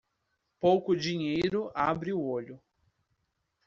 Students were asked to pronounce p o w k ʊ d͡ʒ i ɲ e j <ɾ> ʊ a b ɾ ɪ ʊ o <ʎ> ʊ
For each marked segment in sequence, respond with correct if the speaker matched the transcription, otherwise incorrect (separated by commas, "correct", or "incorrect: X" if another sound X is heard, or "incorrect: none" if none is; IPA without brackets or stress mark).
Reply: correct, correct